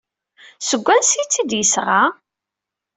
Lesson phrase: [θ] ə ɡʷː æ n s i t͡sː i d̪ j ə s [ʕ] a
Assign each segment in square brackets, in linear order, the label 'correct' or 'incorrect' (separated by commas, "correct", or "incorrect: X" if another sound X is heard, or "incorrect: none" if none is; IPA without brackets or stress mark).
incorrect: s, incorrect: ʁ